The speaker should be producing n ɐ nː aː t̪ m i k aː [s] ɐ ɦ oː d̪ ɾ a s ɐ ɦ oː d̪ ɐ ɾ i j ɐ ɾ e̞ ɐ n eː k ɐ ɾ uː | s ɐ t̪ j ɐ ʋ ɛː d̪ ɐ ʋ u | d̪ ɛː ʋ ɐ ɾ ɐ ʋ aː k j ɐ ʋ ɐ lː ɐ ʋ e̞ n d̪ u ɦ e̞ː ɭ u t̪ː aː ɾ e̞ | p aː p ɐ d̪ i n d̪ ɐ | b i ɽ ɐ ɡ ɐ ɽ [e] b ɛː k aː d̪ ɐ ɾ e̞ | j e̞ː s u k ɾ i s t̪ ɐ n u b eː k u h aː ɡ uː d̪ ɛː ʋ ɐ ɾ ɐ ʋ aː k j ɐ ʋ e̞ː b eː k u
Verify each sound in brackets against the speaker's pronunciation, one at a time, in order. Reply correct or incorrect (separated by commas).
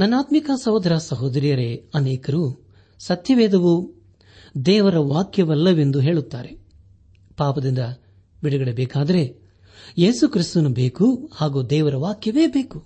correct, correct